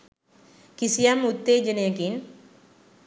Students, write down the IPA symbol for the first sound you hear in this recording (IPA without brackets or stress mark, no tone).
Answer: k